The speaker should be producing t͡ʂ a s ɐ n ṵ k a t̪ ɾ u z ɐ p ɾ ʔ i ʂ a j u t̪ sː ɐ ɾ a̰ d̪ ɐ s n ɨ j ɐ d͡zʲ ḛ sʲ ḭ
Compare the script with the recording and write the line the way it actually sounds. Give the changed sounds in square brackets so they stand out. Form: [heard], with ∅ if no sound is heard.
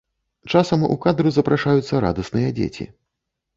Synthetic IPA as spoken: t͡ʂ a s ɐ [m] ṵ k a [d̪] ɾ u z ɐ p ɾ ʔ [a] ʂ a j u t̪ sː ɐ ɾ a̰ d̪ ɐ s n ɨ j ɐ d͡zʲ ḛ [t͡sʲ] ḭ